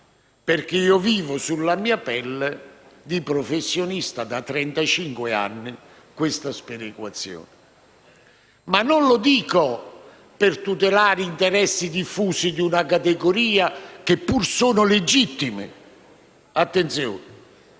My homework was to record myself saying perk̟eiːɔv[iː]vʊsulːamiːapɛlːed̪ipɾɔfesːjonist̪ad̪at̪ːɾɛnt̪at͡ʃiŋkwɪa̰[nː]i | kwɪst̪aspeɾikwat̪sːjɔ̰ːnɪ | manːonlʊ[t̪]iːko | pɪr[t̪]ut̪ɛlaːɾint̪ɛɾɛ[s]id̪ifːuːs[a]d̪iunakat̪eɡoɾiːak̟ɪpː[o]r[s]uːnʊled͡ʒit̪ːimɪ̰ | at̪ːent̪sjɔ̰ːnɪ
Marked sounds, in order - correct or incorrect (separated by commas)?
correct, correct, incorrect, correct, incorrect, incorrect, incorrect, correct